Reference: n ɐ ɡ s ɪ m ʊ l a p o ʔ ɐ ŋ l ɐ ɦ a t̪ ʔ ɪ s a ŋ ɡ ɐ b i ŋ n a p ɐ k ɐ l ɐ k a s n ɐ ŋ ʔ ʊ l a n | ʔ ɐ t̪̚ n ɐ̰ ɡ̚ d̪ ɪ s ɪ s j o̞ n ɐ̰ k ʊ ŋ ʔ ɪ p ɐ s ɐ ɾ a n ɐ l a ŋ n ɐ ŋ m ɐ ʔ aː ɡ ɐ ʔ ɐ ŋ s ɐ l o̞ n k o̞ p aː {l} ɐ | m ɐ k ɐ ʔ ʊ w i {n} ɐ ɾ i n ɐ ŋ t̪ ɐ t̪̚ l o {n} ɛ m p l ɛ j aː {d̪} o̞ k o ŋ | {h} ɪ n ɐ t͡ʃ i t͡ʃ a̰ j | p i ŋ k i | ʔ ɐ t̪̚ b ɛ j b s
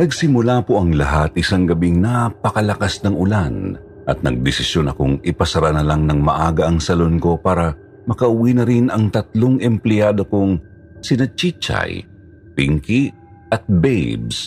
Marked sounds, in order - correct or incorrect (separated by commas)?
incorrect, correct, incorrect, correct, incorrect